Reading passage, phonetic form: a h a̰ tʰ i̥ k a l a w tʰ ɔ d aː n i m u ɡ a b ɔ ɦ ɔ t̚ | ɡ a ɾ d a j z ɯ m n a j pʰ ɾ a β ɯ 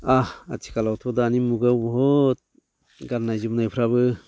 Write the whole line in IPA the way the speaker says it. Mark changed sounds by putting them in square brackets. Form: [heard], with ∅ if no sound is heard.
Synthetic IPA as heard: a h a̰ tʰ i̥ k a l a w tʰ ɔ d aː n i m u ɡ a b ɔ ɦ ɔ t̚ | ɡ a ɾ [n] a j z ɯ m n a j pʰ ɾ a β ɯ